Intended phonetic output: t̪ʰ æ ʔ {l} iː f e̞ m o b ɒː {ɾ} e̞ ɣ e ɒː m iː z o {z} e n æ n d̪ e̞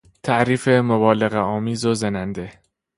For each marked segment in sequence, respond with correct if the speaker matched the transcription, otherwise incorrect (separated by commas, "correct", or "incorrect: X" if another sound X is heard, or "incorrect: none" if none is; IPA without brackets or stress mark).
incorrect: ɾ, incorrect: l, correct